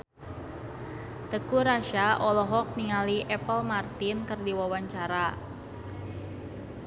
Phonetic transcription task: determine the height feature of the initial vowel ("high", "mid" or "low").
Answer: mid